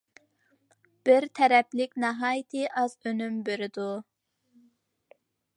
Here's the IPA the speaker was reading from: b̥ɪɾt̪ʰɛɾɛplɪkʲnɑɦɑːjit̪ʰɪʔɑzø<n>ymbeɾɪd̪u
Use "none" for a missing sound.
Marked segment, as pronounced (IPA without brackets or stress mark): n